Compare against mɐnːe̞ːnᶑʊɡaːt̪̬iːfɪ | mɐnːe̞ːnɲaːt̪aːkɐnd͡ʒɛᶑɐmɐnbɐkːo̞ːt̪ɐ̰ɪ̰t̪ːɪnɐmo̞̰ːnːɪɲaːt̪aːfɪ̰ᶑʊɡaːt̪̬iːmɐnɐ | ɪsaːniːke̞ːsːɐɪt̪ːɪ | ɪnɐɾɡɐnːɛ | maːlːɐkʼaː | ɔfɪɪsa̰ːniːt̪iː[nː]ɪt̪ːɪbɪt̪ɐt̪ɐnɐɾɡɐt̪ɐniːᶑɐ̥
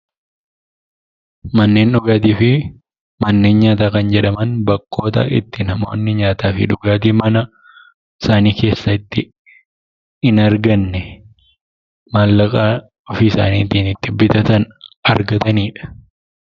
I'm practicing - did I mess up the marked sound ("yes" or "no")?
yes